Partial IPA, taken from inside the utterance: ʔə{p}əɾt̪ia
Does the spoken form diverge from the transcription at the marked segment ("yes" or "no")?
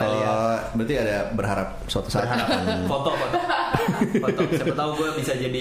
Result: yes